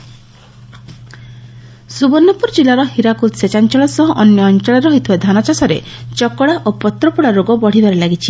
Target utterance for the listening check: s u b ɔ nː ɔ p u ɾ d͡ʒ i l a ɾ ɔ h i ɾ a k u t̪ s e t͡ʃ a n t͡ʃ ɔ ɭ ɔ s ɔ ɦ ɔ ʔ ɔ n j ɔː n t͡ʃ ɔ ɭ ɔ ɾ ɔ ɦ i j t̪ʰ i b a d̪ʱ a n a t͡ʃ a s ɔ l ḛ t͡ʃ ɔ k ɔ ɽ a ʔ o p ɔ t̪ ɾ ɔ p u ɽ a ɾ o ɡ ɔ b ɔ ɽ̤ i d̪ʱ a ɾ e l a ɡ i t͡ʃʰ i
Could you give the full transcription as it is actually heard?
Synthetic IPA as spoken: s u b ɔ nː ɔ p u ɾ d͡ʒ i l a ɾ ɔ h i ɾ a k u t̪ s e t͡ʃ a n t͡ʃ ɔ ɭ ɔ s ɔ ɦ ɔ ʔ ɔ n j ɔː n t͡ʃ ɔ ɭ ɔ ɾ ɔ ɦ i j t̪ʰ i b a d̪ʱ a n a t͡ʃ a s ɔ ɾ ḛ t͡ʃ ɔ k ɔ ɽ a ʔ o p ɔ t̪ ɾ ɔ p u ɽ a ɾ o ɡ ɔ b ɔ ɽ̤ i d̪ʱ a ɾ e l a ɡ i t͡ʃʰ i

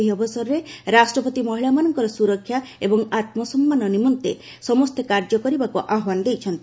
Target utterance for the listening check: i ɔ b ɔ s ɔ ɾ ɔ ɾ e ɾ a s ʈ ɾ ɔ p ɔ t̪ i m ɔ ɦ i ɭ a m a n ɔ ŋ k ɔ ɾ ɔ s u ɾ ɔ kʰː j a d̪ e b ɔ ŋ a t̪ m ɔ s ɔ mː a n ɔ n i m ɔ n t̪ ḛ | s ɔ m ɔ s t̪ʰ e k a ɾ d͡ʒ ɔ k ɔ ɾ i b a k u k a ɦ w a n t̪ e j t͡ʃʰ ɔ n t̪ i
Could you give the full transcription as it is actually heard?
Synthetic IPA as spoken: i ɔ b ɔ s ɔ ɾ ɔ ɾ e ɾ a s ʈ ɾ ɔ p ɔ t̪ i m ɔ ɦ i ɭ a m a n ɔ ŋ k ɔ ɾ ɔ s u ɾ ɔ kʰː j a e b ɔ ŋ a t̪ m ɔ s ɔ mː a n ɔ n i m ɔ n t̪ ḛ | s ɔ m ɔ s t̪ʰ e k a ɾ d͡ʒ ɔ k ɔ ɾ i b a k u ʔ a ɦ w a n d̪ e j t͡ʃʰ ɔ n t̪ i

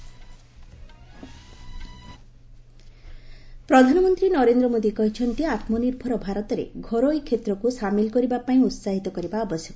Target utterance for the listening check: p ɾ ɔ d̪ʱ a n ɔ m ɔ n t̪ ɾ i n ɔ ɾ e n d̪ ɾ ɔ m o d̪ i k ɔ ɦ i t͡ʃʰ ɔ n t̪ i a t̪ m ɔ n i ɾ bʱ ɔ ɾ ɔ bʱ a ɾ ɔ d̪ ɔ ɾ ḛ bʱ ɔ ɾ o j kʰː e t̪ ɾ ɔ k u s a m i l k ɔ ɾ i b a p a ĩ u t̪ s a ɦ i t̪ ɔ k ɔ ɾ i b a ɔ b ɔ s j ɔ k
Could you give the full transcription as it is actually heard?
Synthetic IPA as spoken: p ɾ ɔ d̪ʱ a n ɔ m ɔ n t̪ ɾ i n ɔ ɾ e n d̪ ɾ ɔ m o d̪ i k ɔ ɦ i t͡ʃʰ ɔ n t̪ i a t̪ m ɔ n i ɾ bʱ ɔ ɾ ɔ bʱ a ɾ ɔ t̪ ɔ ɾ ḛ ɡʱ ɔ ɾ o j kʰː e t̪ ɾ ɔ k u s a m i l k ɔ ɾ i b a p a ĩ u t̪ s a ɦ i t̪ ɔ k ɔ ɾ i b a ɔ b ɔ s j ɔ k

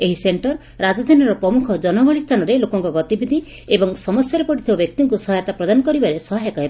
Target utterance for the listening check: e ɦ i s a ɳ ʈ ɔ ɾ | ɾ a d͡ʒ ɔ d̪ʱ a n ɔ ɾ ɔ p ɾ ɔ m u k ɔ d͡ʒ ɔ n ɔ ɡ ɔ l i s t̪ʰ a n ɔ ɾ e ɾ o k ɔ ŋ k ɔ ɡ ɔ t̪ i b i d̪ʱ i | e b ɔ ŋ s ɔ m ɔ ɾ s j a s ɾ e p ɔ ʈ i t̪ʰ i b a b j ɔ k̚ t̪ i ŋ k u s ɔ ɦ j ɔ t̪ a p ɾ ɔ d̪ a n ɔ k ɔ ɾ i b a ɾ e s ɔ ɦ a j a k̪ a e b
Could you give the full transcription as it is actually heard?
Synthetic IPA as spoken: e ɦ i s e ɳ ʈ ɔ ɾ | ɾ a d͡ʒ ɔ d̪ʱ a n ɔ ɾ ɔ p ɾ ɔ m u kʰ ɔ d͡ʒ ɔ n ɔ ɡ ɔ ɭ i s t̪ʰ a n ɔ ɾ e l o k ɔ ŋ k ɔ ɡ ɔ t̪ i b i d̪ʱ i | e b ɔ ŋ s ɔ m ɔ s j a ɾ e p ɔ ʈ i t̪ʰ i b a b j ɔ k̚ t̪ i ŋ k u s ɔ ɦ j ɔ t̪ a p ɾ ɔ d̪ a n ɔ k ɔ ɾ i b a ɾ e s ɔ ɦ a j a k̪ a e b

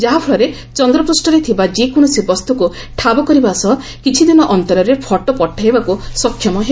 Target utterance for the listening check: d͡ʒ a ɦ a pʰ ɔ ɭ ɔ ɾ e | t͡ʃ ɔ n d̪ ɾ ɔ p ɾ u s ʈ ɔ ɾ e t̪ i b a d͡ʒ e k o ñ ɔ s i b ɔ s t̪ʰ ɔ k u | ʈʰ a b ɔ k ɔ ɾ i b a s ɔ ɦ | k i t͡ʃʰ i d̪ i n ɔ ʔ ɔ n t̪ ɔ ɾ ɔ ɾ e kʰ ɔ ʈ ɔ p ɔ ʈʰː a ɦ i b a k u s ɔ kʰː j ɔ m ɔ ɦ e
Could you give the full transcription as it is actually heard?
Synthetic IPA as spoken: d͡ʒ a ɦ a pʰ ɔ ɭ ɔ ɾ e | t͡ʃ ɔ n d̪ ɾ ɔ p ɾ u s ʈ ɔ ɾ e t̪ʰ i b a d͡ʒ e k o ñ ɔ s i b ɔ s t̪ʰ ɔ k u | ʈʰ a b ɔ k ɔ ɾ i b a s ɔ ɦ | k i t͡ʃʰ i d̪ i n ɔ ʔ ɔ n t̪ ɔ ɾ ɔ ɾ e pʰ ɔ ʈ ɔ p ɔ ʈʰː a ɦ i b a k u s ɔ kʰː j ɔ m ɔ ɦ e

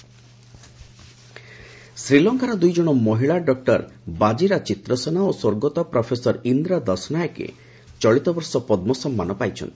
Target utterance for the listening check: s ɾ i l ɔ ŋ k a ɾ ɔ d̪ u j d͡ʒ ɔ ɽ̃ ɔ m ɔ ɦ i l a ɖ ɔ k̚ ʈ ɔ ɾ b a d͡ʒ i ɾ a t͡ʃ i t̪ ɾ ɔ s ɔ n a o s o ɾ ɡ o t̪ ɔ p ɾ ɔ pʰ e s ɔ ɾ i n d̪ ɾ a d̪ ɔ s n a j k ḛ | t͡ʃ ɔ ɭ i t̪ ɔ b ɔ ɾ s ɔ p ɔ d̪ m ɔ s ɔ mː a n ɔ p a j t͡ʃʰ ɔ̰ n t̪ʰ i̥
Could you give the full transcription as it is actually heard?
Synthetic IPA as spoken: s ɾ i l ɔ ŋ k a ɾ ɔ d̪ u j d͡ʒ ɔ ɽ̃ ɔ m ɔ ɦ i ɭ a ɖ ɔ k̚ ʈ ɔ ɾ b a d͡ʒ i ɾ a t͡ʃ i t̪ ɾ ɔ s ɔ n a o s o ɾ ɡ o t̪ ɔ p ɾ ɔ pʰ e s ɔ ɾ i n d̪ ɾ a d̪ ɔ s n a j k ḛ | t͡ʃ ɔ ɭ i t̪ ɔ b ɔ ɾ s ɔ p ɔ d̪ m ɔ s ɔ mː a n ɔ p a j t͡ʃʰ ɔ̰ n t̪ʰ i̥

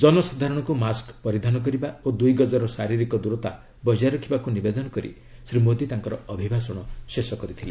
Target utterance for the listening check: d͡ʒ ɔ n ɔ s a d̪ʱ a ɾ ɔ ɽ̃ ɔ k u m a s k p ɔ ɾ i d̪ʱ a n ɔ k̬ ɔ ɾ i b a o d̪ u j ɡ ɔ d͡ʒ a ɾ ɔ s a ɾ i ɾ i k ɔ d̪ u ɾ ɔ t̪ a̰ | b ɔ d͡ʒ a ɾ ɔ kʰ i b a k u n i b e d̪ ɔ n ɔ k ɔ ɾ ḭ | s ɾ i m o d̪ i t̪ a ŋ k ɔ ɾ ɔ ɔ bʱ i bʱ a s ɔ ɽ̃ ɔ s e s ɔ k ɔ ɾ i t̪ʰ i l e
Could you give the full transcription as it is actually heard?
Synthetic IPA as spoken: d͡ʒ ɔ n ɔ s a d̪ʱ a ɾ ɔ ɽ̃ ɔ k u m a s k p ɔ ɾ i d̪ʱ a n ɔ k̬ ɔ ɾ i b a o d̪ u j ɡ ɔ d͡ʒ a ɾ ɔ s a ɾ i ɾ i k ɔ d̪ u ɾ ɔ t̪ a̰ | b ɔ d͡ʒ a ɾ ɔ kʰ i b a k u n i b e d̪ ɔ n ɔ k ɔ ɾ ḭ | s ɾ i m o d̪ i t̪ a ŋ k ɔ ɾ ɔ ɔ bʱ i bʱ a s ɔ ɽ̃ ɔ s e s ɔ k ɔ ɾ i t̪ʰ i l e

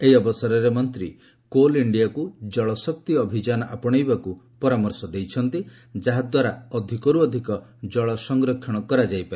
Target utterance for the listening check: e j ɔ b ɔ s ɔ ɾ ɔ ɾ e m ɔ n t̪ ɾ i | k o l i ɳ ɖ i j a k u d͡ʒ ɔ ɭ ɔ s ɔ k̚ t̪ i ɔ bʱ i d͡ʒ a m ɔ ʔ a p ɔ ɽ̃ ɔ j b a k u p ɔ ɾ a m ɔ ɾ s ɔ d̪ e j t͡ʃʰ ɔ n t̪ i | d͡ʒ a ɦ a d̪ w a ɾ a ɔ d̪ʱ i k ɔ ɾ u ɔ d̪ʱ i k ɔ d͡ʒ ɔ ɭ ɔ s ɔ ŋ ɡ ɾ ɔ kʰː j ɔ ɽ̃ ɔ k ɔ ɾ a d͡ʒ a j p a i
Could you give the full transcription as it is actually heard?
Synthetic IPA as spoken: e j ɔ b ɔ s ɔ ɾ ɔ ɾ e m ɔ n t̪ ɾ i | k o l i ɳ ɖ i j a k u d͡ʒ ɔ ɭ ɔ s ɔ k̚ t̪ i ɔ bʱ i d͡ʒ a n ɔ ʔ a p ɔ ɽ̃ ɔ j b a k u p ɔ ɾ a m ɔ ɾ s ɔ d̪ e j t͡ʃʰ ɔ n t̪ i | d͡ʒ a ɦ a d̪ w a ɾ a ɔ d̪ʱ i k ɔ ɾ u ɔ d̪ʱ i k ɔ d͡ʒ ɔ ɭ ɔ s ɔ ŋ ɡ ɾ ɔ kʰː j ɔ ɽ̃ ɔ k ɔ ɾ a d͡ʒ a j p a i

